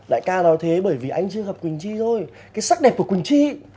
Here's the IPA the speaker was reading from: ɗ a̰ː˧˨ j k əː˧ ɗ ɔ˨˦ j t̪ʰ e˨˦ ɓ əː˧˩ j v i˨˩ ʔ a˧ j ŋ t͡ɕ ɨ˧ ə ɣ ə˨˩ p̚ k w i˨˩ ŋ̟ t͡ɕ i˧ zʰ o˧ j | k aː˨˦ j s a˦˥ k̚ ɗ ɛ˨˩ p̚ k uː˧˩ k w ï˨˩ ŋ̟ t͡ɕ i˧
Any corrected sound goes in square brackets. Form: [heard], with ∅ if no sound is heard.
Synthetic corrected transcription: ɗ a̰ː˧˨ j k [aː˧] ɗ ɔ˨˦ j t̪ʰ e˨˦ ɓ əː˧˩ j v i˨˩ ʔ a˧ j ŋ t͡ɕ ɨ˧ ə ɣ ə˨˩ p̚ k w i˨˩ ŋ̟ t͡ɕ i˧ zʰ o˧ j | k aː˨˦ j s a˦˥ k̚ ɗ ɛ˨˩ p̚ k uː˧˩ k w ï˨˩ ŋ̟ t͡ɕ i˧